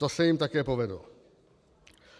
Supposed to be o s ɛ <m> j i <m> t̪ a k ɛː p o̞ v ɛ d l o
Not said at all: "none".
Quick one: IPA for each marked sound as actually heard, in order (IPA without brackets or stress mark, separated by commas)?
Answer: none, m